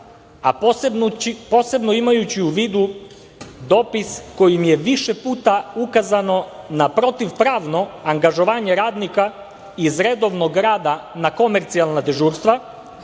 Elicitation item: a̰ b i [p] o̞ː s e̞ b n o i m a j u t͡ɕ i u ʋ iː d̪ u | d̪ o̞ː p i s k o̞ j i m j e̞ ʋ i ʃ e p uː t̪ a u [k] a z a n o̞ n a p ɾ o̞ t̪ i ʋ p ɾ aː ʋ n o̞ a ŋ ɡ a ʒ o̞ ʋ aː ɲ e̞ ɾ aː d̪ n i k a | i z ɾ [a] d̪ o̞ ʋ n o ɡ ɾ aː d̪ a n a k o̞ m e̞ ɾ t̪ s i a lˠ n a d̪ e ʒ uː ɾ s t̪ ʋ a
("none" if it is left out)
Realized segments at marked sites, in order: p, k, e

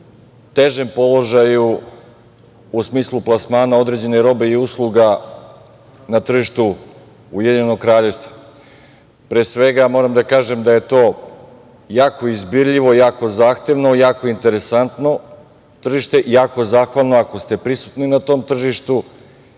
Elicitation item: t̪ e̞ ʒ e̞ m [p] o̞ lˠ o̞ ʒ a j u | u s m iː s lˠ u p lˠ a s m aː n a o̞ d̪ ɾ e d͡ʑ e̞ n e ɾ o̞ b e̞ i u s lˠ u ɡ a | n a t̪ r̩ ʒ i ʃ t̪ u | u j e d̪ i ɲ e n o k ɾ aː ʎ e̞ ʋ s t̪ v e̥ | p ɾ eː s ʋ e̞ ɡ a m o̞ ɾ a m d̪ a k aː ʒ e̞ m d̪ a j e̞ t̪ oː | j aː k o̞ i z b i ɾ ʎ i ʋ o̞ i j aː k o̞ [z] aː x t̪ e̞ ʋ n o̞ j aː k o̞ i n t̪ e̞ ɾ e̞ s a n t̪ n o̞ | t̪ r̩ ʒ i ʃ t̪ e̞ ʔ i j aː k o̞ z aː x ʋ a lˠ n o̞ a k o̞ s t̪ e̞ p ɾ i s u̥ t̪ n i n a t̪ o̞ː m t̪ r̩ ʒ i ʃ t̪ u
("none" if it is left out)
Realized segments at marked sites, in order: p, z

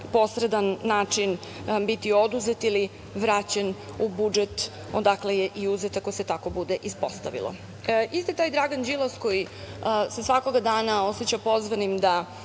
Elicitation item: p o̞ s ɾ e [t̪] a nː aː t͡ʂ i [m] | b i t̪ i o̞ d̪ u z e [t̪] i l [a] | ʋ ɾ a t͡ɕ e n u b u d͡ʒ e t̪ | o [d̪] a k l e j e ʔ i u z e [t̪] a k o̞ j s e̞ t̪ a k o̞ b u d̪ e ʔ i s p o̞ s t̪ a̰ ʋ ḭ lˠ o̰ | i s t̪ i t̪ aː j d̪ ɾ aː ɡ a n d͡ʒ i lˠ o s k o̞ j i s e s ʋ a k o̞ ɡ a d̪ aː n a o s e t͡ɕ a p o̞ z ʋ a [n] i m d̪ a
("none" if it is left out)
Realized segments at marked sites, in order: d̪, n, t̪, i, d̪, t̪, n

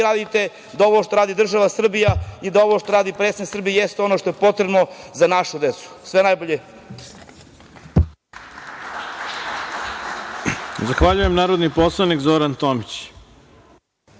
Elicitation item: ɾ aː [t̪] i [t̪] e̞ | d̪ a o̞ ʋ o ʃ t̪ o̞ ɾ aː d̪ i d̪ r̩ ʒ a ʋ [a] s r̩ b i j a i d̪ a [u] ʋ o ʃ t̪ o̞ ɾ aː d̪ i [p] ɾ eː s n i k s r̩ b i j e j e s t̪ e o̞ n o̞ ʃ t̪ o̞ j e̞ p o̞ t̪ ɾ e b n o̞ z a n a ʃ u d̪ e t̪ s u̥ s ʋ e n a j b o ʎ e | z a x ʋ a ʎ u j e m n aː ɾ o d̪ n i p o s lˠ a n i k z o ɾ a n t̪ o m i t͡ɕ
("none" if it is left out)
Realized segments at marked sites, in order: d̪, t̪, a, o, p

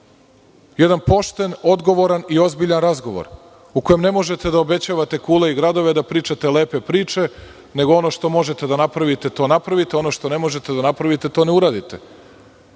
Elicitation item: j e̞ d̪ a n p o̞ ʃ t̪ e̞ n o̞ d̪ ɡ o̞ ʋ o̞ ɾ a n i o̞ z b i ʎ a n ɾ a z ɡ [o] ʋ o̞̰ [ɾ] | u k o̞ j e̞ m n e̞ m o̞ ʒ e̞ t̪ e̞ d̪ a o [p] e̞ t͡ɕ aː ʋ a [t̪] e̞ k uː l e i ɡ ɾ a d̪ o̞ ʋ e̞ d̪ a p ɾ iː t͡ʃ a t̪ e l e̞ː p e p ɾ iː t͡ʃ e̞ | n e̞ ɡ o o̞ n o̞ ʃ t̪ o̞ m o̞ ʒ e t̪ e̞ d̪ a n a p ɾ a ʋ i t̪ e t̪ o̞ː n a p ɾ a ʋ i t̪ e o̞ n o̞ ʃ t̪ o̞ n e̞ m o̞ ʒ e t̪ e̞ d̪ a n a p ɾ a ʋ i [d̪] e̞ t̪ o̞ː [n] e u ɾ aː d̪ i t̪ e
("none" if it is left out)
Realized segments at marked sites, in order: o, ɾ, b, t̪, t̪, n

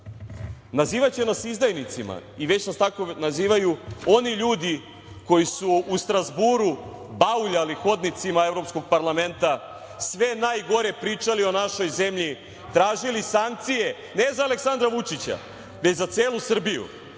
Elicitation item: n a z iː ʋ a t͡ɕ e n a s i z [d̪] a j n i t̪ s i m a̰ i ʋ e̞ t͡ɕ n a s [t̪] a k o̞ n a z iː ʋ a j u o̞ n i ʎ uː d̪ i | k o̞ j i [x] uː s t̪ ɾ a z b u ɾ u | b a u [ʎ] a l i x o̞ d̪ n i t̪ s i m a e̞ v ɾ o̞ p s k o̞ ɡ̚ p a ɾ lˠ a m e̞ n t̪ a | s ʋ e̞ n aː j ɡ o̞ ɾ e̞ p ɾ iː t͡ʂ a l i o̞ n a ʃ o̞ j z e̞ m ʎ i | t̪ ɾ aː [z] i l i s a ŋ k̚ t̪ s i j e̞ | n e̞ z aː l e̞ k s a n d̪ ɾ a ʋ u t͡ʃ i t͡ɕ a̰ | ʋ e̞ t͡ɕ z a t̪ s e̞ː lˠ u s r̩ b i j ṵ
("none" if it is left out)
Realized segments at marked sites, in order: d̪, t̪, s, ʎ, ʒ

